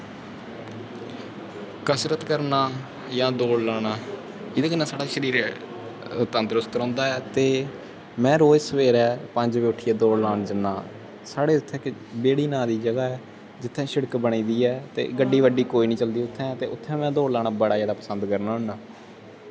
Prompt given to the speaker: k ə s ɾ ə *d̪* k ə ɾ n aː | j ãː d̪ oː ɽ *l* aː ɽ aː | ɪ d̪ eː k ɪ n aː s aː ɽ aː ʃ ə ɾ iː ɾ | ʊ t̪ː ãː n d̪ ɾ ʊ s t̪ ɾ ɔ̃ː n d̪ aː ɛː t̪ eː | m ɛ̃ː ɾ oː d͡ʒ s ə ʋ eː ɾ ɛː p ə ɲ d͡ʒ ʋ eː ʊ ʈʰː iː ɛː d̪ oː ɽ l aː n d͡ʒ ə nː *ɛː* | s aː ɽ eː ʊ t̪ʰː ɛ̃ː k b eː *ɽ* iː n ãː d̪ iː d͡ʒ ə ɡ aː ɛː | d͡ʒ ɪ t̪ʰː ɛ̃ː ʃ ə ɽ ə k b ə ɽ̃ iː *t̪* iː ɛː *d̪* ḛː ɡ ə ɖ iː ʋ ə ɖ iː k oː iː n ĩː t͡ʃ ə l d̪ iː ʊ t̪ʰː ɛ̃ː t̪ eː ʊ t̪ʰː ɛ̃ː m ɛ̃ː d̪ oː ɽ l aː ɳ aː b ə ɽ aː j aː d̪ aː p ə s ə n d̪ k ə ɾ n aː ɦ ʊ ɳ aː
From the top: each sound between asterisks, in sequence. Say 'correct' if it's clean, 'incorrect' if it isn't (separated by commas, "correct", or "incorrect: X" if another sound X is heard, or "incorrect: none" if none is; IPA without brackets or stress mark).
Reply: incorrect: t̪, correct, incorrect: aː, correct, incorrect: d̪, incorrect: t̪